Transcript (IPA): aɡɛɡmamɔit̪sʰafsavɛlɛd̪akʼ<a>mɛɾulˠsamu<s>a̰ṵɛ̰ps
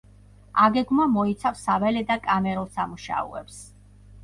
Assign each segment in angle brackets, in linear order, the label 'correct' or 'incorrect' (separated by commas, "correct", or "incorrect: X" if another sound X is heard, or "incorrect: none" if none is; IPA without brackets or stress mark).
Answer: correct, incorrect: ʃ